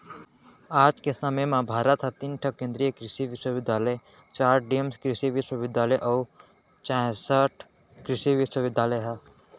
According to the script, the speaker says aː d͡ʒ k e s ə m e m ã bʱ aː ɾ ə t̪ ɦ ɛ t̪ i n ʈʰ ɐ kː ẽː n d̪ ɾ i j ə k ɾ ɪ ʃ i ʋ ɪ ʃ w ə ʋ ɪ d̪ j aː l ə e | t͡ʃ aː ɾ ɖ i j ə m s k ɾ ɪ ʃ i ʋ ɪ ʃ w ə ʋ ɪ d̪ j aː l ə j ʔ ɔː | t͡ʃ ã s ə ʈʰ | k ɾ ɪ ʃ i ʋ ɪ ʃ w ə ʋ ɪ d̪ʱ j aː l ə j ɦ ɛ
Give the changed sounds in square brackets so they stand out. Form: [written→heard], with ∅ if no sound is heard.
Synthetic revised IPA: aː d͡ʒ k e s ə m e m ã bʱ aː ɾ ə t̪ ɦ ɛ t̪ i n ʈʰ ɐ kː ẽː n d̪ ɾ i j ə k ɾ ɪ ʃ i ʋ ɪ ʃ w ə ʋ ɪ d̪ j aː l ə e | t͡ʃ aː ɾ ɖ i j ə m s k ɾ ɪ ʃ i ʋ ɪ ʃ w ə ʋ ɪ d̪ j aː l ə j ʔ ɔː | t͡ʃ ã s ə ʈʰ | k ɾ ɪ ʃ i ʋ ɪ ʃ w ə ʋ ɪ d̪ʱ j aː l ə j ɦ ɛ

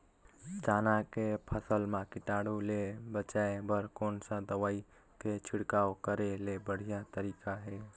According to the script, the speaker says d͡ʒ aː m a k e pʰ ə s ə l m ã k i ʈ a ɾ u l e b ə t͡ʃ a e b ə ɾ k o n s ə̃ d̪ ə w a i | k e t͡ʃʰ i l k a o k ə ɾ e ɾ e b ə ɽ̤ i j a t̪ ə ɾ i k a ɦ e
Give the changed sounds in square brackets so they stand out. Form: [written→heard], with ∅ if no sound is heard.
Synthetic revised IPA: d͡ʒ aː [m→n] a k e pʰ ə s ə l m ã k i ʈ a [ɾ→ɽ] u l e b ə t͡ʃ a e b ə ɾ k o n s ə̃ d̪ ə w a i | k e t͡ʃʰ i [l→ɽ] k a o k ə ɾ e [ɾ→l] e b ə ɽ̤ i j a t̪ ə ɾ i k a ɦ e

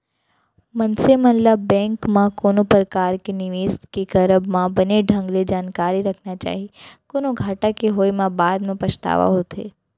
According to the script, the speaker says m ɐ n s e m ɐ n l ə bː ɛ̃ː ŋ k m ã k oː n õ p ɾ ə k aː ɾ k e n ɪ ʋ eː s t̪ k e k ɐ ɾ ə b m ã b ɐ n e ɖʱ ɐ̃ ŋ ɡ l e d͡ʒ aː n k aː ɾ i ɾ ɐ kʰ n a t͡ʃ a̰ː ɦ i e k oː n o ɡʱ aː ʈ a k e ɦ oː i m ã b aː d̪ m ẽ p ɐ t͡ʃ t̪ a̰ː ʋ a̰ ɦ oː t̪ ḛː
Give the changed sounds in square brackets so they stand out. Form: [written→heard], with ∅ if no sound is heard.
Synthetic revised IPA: m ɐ n s e m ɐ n l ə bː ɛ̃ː ŋ k m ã k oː n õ p ɾ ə k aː ɾ k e n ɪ ʋ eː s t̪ k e k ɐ ɾ ə b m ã b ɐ n e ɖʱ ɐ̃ ŋ ɡ l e d͡ʒ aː n k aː ɾ i ɾ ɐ kʰ n a t͡ʃ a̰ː ɦ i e k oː n o ɡʱ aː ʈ a k e ɦ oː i m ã b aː d̪ m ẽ p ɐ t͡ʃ t̪ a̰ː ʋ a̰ ɦ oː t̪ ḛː

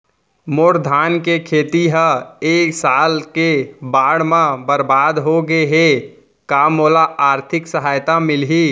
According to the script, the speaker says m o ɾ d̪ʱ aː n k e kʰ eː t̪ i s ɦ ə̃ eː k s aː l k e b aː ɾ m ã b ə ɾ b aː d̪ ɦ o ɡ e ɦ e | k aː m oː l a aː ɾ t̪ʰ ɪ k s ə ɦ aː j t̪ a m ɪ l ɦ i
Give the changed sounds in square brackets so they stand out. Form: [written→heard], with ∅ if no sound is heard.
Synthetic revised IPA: m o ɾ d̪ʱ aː n k e kʰ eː t̪ i [s→∅] ɦ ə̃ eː k s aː l k e b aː [ɾ→ɽ] m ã b ə ɾ b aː d̪ ɦ o ɡ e ɦ e | k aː m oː l a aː ɾ t̪ʰ ɪ k s ə ɦ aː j t̪ a m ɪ l ɦ i

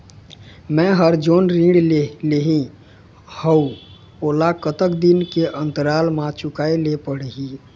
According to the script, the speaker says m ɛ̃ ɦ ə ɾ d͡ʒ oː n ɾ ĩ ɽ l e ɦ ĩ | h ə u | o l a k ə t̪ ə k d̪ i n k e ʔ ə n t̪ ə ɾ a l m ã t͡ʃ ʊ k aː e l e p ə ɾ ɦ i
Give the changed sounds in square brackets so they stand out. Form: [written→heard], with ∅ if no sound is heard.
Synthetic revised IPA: m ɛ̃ ɦ ə ɾ d͡ʒ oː n ɾ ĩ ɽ l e ɦ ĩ | h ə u | o l a k ə t̪ ə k d̪ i n k e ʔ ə n t̪ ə ɾ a l m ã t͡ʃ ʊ k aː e l e p ə [ɾ→ɽ] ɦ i

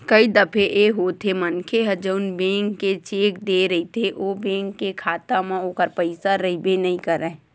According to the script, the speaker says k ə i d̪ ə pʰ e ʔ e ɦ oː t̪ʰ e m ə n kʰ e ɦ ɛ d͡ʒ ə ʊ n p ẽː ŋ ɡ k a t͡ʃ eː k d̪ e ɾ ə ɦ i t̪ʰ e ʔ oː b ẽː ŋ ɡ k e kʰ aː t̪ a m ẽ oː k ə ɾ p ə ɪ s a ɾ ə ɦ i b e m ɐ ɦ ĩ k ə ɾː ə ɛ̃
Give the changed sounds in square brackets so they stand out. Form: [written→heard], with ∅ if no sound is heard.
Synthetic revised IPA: k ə i d̪ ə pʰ e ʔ e ɦ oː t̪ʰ e m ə n kʰ e ɦ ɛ d͡ʒ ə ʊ n [p→b] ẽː ŋ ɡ k [a→e] t͡ʃ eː k d̪ e ɾ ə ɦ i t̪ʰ e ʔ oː b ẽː ŋ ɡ k e kʰ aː t̪ a m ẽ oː k ə ɾ p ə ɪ s a ɾ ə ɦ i b e [m→n] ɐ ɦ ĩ k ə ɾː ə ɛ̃

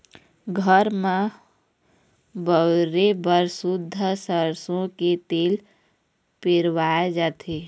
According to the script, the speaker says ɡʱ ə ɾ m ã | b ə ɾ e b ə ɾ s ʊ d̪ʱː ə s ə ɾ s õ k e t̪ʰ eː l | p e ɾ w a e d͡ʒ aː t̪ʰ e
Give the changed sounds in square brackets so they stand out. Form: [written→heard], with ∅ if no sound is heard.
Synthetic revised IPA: ɡʱ ə ɾ m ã | b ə ɾ e b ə ɾ s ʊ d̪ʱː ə s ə ɾ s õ k e [t̪ʰ→t̪] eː l | p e ɾ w a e d͡ʒ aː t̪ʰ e

